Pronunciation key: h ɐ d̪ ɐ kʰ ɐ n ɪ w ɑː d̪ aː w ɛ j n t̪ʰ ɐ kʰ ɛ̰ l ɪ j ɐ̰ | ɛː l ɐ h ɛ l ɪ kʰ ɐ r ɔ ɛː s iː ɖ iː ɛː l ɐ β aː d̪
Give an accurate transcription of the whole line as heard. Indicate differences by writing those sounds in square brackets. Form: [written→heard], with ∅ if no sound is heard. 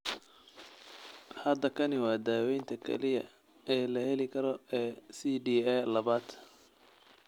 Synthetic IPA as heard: h ɐ d̪ ɐ kʰ ɐ n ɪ w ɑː d̪ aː w ɛ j n t̪ʰ ɐ kʰ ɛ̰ l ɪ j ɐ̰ | ɛː l ɐ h ɛ l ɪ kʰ ɐ [r→ɾ] ɔ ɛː s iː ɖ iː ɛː l ɐ β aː d̪